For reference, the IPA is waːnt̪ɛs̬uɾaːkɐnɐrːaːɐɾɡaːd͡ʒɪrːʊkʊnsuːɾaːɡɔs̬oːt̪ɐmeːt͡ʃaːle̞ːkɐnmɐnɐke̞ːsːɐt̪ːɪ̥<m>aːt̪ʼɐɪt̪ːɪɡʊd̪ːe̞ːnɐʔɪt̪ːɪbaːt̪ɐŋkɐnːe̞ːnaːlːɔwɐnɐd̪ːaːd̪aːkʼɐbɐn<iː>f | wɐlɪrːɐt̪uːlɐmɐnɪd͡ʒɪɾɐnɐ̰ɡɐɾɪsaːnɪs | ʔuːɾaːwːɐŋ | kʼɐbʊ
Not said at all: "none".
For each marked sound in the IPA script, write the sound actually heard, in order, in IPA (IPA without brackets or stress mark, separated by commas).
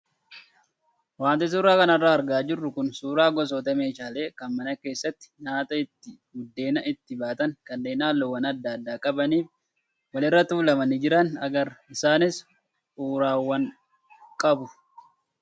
ɲ, iː